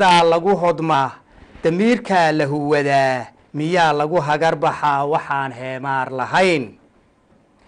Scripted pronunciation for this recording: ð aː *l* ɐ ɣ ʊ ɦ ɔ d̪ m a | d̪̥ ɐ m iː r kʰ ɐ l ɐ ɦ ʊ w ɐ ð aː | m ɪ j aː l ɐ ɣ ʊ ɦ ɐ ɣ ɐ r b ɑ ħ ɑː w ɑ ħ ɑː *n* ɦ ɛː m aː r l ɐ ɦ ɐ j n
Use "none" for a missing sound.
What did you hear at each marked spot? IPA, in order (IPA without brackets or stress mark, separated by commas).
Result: l, n